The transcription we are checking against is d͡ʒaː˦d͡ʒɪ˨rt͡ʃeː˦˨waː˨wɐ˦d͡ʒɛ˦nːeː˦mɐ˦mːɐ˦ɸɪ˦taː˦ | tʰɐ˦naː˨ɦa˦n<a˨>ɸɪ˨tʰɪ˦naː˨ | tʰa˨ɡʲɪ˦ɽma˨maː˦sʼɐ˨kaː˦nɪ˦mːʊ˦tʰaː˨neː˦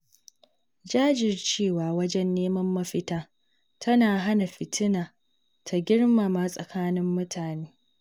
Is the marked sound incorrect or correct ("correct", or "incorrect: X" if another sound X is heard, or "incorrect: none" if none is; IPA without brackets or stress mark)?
correct